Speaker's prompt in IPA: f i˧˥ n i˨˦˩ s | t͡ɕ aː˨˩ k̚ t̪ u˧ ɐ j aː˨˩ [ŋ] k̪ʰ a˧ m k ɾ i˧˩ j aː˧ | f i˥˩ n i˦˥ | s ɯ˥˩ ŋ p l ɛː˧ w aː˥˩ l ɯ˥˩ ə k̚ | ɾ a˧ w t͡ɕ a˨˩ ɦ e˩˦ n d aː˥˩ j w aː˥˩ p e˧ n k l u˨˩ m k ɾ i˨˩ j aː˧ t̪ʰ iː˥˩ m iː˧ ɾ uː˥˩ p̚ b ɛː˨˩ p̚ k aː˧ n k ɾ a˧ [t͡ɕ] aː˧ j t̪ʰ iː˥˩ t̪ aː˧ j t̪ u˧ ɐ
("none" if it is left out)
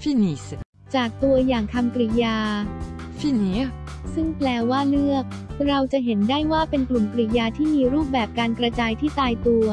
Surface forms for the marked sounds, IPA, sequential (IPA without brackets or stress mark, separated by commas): ŋ, t͡ɕ